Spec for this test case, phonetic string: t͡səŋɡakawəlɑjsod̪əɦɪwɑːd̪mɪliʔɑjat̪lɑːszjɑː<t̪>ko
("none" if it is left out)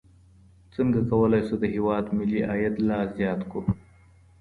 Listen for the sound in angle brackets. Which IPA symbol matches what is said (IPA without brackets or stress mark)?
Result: t̪